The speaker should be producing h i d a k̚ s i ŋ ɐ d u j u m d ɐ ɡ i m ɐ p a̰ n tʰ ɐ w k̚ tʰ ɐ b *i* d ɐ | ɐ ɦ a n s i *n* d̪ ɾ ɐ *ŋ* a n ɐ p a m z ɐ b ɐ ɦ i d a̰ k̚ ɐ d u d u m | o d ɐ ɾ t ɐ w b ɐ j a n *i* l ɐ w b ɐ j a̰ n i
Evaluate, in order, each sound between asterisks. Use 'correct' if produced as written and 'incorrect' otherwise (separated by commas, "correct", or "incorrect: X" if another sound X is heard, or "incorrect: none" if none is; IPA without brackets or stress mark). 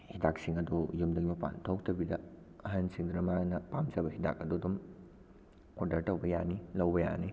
correct, incorrect: ŋ, incorrect: m, correct